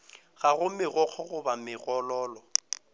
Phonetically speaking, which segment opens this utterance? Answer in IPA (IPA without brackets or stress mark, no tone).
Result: ɣ